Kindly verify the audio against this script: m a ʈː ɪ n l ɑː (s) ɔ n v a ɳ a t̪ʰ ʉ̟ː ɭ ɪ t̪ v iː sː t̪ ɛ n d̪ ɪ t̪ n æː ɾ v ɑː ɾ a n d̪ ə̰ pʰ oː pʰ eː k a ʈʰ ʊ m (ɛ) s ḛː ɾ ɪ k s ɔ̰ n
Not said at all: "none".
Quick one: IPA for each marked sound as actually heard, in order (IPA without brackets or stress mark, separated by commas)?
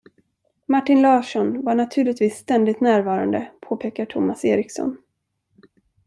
ʂ, a